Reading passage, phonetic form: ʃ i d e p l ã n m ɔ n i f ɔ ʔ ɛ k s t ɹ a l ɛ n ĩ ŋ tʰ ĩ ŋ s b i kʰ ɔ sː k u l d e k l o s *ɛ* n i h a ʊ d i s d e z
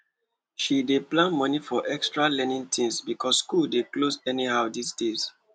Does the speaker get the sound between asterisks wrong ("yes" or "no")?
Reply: no